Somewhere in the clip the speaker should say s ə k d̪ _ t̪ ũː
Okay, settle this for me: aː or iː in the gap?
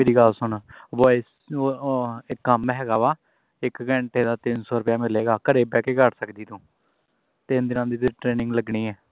iː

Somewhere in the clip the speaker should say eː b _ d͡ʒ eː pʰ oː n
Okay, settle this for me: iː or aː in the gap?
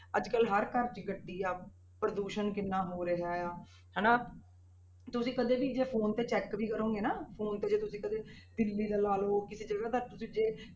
iː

